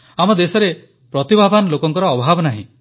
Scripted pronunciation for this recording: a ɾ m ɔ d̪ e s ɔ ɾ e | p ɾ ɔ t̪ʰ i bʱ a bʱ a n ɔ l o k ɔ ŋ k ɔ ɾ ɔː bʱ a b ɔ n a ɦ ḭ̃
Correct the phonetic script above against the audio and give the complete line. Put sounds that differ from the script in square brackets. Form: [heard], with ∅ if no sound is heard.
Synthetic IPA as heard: a [∅] m ɔ d̪ e s ɔ ɾ e | p ɾ ɔ [t̪] i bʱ a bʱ a n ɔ l o k ɔ ŋ k ɔ ɾ ɔː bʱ a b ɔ n a ɦ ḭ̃

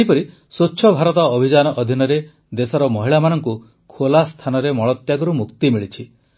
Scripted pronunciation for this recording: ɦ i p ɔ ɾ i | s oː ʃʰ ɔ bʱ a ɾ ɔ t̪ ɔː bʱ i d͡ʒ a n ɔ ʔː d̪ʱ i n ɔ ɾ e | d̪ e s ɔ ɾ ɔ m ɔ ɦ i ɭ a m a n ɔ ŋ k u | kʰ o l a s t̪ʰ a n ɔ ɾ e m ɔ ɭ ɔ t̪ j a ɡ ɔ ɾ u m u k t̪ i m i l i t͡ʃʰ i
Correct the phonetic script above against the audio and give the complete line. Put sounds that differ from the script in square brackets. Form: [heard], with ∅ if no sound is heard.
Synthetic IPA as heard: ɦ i p ɔ ɾ i | s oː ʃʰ ɔ bʱ a ɾ ɔ t̪ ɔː bʱ i d͡ʒ a n ɔ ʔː d̪ʱ i n ɔ ɾ e | d̪ e s ɔ ɾ ɔ m ɔ ɦ i ɭ a m a n ɔ ŋ k u | kʰ o l a s t̪ʰ a n ɔ ɾ e m ɔ ɭ ɔ t̪ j a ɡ ɔ ɾ u m u k t̪ i m i [ɭ] i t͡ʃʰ i

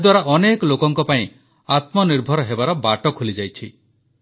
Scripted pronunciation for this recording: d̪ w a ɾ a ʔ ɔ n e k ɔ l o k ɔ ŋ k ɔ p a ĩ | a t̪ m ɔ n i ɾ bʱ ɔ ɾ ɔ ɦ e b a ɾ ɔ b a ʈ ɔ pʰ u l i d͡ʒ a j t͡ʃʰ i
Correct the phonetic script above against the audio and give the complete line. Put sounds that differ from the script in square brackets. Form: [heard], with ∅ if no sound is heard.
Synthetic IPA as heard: d̪ w a ɾ a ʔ ɔ n e k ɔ l o k ɔ ŋ k ɔ p a ĩ | a t̪ m ɔ n i ɾ bʱ ɔ ɾ ɔ ɦ e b a ɾ ɔ b a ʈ ɔ [kʰ] u l i d͡ʒ a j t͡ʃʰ i

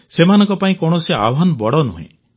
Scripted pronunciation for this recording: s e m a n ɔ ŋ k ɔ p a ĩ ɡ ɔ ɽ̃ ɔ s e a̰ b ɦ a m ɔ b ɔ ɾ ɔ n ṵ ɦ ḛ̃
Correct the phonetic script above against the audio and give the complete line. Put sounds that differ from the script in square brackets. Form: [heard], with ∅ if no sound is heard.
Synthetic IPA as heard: s e m a n ɔ ŋ k ɔ p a ĩ [k] ɔ ɽ̃ ɔ s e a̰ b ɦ a [n] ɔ b ɔ [ɽ] ɔ n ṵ ɦ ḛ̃

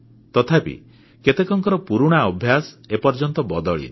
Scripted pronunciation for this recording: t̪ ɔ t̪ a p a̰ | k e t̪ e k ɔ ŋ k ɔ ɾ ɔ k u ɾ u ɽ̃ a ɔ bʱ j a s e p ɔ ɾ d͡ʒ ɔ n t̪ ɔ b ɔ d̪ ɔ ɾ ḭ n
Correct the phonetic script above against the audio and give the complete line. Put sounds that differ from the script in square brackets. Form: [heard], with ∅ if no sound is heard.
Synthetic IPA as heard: t̪ ɔ [t̪ʰ] a p [ḭ] | k e t̪ e k ɔ ŋ k ɔ ɾ ɔ [p] u ɾ u ɽ̃ a ɔ bʱ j a s e p ɔ ɾ d͡ʒ ɔ n t̪ ɔ b ɔ d̪ ɔ [ɭ] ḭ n

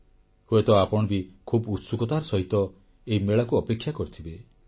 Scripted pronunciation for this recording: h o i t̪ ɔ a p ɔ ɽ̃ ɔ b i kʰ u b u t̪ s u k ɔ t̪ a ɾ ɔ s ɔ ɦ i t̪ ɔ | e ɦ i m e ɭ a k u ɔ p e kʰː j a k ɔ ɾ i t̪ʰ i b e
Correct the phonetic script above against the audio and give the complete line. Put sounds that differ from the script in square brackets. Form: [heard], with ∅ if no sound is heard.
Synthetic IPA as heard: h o [e] t̪ ɔ a p ɔ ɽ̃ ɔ b i kʰ u b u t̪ s u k ɔ t̪ a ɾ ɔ s ɔ ɦ i t̪ ɔ | e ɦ i m e ɭ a k u ɔ p e kʰː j a k ɔ ɾ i t̪ʰ i b e

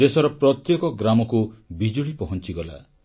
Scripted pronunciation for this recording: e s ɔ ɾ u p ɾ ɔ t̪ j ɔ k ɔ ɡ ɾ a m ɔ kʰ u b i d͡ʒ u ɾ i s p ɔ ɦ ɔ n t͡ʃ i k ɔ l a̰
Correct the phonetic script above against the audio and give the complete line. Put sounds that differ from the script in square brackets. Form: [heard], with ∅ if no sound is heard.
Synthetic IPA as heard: e s ɔ ɾ [ɔ] p ɾ ɔ t̪ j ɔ k ɔ ɡ ɾ a m ɔ [k] u b i d͡ʒ u [ɭ] i [∅] p ɔ ɦ ɔ n t͡ʃ i [ɡ] ɔ l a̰

